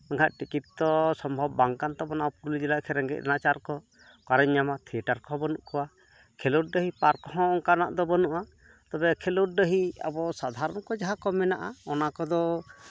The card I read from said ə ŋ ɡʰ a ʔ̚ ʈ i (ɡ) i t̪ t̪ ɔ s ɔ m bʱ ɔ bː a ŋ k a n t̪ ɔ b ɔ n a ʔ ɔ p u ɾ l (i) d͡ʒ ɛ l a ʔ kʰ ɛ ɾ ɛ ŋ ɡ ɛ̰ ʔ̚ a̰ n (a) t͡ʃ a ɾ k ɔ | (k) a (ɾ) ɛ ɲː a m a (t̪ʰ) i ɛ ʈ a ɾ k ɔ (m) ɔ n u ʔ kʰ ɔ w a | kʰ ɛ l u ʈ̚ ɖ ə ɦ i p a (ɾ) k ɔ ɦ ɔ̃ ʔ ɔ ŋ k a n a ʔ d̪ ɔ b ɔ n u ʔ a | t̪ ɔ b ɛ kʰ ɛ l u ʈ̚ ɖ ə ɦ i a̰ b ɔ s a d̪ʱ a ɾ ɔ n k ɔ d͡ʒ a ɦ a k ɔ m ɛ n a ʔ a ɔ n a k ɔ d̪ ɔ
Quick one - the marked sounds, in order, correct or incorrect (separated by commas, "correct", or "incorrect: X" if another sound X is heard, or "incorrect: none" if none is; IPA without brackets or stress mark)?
incorrect: k, correct, correct, correct, correct, correct, incorrect: b, correct